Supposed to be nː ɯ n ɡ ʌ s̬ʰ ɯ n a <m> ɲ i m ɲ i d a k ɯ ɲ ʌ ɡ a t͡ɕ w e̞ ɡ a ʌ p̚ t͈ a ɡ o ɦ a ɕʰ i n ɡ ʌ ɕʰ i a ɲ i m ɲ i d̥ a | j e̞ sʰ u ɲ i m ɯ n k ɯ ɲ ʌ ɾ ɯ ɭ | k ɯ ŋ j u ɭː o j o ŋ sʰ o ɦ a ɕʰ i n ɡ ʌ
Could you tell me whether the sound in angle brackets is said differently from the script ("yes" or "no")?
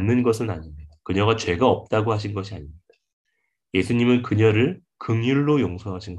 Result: yes